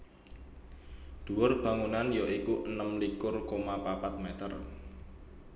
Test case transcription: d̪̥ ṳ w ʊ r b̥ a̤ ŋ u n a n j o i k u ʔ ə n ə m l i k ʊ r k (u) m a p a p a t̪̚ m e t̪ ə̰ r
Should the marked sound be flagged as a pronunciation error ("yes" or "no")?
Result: yes